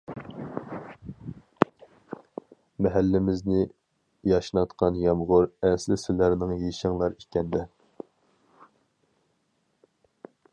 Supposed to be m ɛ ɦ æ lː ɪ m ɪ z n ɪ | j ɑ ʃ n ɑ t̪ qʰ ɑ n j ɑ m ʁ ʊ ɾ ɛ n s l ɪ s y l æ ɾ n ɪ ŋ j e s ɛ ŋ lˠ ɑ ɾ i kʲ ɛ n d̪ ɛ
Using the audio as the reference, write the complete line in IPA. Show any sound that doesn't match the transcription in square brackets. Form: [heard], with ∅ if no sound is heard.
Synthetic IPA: m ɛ ɦ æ lː ɪ m ɪ z n ɪ | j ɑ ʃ n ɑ t̪ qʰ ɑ n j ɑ m ʁ ʊ ɾ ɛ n s l ɪ s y l æ ɾ n ɪ ŋ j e [ʃ] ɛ ŋ lˠ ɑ ɾ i kʲ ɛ n d̪ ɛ